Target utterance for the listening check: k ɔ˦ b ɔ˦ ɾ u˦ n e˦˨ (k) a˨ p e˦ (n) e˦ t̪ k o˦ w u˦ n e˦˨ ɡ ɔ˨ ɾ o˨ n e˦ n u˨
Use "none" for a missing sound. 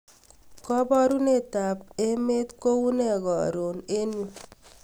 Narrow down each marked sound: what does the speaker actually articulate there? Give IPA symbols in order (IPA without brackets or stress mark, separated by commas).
t, m